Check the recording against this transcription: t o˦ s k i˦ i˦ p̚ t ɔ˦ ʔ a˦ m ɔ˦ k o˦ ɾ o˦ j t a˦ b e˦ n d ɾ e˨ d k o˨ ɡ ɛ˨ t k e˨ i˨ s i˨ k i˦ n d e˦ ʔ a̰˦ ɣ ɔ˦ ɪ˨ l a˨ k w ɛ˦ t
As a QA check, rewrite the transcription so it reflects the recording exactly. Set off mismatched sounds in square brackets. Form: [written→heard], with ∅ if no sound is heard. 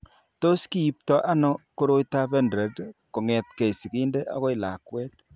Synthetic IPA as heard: t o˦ s k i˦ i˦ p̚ t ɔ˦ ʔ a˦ [m→n] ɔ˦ k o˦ ɾ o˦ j t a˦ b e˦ n d ɾ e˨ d k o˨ [ɡ→ŋ] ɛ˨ t k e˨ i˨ s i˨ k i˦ n d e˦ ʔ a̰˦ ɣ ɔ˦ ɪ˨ l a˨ k w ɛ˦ t